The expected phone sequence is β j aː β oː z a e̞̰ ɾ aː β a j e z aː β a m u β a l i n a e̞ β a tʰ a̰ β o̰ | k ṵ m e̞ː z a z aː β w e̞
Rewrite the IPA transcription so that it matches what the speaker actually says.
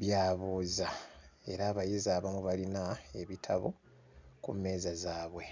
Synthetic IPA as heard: β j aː β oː z a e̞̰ ɾ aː β a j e z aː β a m u β a l i n a e̞ β i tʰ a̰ β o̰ | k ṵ m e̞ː z a z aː β w e̞